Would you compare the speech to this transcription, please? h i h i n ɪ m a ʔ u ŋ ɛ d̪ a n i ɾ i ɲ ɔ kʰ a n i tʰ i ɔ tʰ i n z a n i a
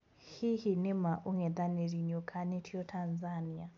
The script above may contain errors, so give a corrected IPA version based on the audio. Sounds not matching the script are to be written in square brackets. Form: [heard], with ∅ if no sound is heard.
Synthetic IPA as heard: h i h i n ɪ m a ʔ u ŋ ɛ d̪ a n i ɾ i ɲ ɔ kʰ a n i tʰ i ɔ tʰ [a] n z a n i a

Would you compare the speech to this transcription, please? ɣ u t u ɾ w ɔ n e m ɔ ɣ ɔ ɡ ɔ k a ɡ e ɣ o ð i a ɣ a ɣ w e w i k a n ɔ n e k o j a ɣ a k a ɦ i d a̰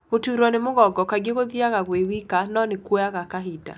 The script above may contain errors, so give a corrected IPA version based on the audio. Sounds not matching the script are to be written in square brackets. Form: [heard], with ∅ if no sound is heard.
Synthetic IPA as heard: ɣ [o] t u ɾ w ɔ n e m [o] ɣ ɔ ɡ ɔ k a ɡ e ɣ o ð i a ɣ a ɣ w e w i k a n ɔ n e k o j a ɣ a k a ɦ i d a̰

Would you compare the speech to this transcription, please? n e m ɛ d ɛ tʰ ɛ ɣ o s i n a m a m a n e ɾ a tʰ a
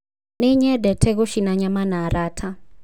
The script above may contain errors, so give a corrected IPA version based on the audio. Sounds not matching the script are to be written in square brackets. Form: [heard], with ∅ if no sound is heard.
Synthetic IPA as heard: n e [ɲ] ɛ d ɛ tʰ ɛ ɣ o [ʃ] i n a [ɲ] a m a n [a] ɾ a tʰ a

